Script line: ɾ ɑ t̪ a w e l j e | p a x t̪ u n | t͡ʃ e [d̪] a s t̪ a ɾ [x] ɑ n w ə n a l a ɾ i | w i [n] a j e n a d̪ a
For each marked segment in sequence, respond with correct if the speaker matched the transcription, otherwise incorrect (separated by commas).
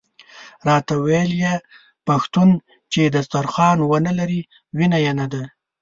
correct, correct, correct